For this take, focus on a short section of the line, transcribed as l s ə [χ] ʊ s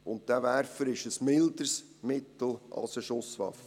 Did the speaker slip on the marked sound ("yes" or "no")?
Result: yes